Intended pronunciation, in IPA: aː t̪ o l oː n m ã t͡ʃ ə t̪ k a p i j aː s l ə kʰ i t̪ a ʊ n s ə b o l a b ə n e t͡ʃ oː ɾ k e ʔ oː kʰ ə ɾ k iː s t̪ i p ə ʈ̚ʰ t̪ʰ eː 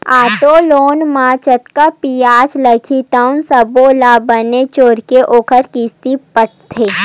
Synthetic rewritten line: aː t̪ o l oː n m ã t͡ʃ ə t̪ k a p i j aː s l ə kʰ i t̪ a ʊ n s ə b o l a b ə n e t͡ʃ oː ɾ k e ʔ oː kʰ ə ɾ k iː s t̪ i p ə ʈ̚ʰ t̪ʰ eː